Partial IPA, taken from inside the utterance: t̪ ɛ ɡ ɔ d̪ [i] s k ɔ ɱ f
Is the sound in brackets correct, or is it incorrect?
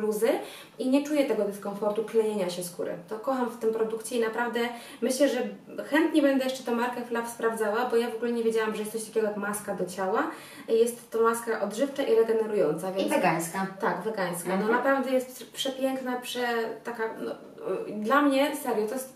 incorrect: ɛ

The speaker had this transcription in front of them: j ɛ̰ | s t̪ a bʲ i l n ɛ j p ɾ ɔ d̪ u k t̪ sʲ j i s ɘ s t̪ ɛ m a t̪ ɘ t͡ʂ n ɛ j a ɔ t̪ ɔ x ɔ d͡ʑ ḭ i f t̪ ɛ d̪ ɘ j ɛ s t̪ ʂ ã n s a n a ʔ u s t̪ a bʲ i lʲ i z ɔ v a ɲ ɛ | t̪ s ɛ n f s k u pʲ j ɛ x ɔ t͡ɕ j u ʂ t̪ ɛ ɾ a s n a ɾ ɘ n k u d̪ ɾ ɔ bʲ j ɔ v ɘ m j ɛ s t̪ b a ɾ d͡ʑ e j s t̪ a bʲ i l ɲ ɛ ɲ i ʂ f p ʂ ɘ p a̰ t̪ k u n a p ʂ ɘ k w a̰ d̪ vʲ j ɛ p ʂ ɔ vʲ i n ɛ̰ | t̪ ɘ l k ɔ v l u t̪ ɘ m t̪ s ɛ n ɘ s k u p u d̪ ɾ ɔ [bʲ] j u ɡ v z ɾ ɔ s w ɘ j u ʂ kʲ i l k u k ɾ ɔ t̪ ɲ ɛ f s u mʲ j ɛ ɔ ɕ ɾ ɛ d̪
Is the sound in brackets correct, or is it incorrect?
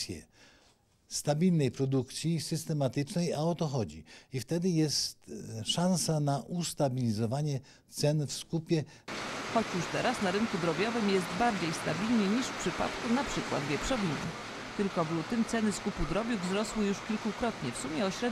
correct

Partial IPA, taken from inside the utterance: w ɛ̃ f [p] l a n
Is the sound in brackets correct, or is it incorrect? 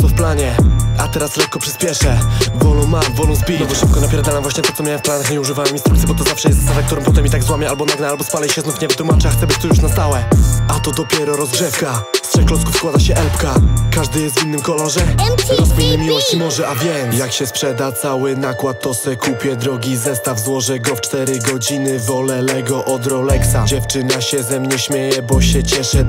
correct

